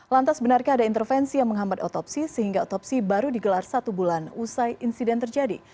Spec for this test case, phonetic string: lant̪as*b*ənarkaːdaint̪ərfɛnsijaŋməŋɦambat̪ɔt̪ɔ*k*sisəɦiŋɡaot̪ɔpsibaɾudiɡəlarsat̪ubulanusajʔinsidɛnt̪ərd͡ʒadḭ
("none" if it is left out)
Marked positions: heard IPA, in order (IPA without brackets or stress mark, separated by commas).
b, p